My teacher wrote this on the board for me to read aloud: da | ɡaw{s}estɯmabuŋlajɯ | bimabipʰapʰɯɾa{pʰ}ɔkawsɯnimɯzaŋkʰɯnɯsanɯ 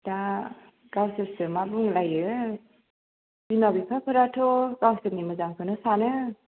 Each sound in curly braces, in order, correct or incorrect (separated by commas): correct, incorrect